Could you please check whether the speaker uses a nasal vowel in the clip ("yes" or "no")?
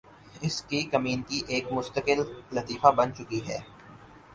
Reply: no